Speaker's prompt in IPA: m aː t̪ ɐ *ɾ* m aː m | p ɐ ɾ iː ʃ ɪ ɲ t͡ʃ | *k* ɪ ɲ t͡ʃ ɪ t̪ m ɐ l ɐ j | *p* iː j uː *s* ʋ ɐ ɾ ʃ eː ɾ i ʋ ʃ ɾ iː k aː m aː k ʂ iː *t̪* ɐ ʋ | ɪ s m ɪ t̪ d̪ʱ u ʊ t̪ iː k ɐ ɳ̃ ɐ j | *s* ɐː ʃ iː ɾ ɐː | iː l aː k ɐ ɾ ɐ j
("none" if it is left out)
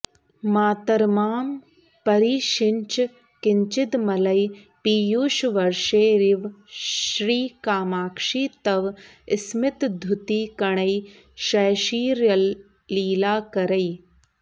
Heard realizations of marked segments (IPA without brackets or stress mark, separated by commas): ɾ, k, p, ʃ, t̪, ʃ